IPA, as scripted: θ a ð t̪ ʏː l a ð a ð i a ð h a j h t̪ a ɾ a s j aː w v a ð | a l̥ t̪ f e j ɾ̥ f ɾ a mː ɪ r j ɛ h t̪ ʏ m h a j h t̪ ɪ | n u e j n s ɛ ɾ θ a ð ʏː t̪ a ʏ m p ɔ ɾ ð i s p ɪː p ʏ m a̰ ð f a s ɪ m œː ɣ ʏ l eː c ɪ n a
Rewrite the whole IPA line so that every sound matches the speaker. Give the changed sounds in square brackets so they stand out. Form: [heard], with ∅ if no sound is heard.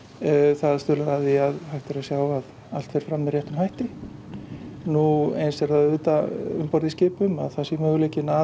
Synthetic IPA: θ a ð t̪ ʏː l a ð a ð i a ð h a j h t̪ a ɾ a s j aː w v a ð | a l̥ t̪ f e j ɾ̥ f ɾ a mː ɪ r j ɛ h t̪ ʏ m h a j h t̪ ɪ | n u e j n s ɛ ɾ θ a ð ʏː t̪ a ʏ m p ɔ ɾ ð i s [c] ɪː p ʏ m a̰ ð [θ] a s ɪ m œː ɣ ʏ l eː c ɪ n a

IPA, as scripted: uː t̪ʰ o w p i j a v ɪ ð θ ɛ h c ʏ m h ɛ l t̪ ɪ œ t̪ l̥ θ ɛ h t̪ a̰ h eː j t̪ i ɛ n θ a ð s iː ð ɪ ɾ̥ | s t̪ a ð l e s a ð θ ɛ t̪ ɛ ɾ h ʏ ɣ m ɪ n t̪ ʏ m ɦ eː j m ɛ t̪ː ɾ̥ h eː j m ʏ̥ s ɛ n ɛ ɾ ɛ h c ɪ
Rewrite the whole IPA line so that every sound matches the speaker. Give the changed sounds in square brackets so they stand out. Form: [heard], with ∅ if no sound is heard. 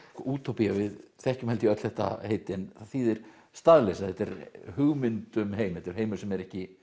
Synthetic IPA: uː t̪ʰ o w p i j a v ɪ ð θ ɛ h c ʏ m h ɛ l t̪ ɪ œ t̪ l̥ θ ɛ h t̪ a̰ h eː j t̪ [ɪ] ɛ n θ a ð [θ] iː ð ɪ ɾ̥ | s t̪ a ð l e s a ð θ ɛ t̪ ɛ ɾ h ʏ ɣ m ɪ n t̪ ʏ m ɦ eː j m ɛ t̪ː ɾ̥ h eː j m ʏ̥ s ɛ [m] ɛ ɾ ɛ h c ɪ

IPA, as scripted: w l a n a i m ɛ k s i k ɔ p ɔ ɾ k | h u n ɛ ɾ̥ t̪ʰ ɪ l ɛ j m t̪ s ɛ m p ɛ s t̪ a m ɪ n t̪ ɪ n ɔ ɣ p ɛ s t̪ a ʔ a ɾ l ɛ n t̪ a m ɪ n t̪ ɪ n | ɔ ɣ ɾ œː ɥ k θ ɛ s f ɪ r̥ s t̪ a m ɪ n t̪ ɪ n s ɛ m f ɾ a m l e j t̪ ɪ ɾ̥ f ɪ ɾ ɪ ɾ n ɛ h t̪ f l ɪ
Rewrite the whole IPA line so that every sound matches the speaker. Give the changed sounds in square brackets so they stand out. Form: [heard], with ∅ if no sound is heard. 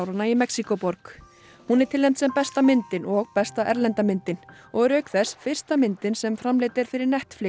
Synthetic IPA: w [ɾ] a n a i m ɛ k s i k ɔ p ɔ ɾ k | h u n ɛ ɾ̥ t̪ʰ ɪ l ɛ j m t̪ s ɛ m p ɛ s t̪ a m ɪ n t̪ ɪ n ɔ ɣ p ɛ s t̪ a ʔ [ɛ] ɾ l ɛ n t̪ a m ɪ n t̪ ɪ n | ɔ ɣ ɾ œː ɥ k θ ɛ s f ɪ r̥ s t̪ a m ɪ n t̪ ɪ n s ɛ m f ɾ a m l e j t̪ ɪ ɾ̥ f ɪ ɾ ɪ ɾ n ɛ h t̪ f l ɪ

